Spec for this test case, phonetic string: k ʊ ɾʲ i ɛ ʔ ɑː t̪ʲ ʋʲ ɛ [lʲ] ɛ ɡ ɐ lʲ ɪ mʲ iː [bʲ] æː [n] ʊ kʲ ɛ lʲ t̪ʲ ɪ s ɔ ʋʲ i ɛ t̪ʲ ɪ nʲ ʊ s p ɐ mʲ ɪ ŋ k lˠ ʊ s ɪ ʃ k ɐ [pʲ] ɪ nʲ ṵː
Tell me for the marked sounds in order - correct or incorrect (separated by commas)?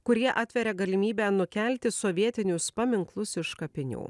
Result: incorrect, correct, correct, correct